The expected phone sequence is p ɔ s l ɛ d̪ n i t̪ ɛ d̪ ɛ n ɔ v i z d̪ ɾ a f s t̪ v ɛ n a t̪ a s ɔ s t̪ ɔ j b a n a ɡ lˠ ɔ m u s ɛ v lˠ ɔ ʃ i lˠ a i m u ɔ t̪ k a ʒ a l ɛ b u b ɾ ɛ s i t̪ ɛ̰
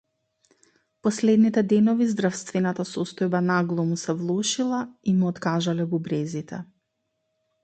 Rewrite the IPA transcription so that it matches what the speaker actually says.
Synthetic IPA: p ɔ s l ɛ d̪ n i t̪ ɛ d̪ ɛ n ɔ v i z d̪ ɾ a f s t̪ v ɛ n a t̪ a s ɔ s t̪ ɔ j b a n a ɡ lˠ ɔ m u s ɛ v lˠ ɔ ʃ i lˠ a i m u ɔ t̪ k a ʒ a l ɛ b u b ɾ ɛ z i t̪ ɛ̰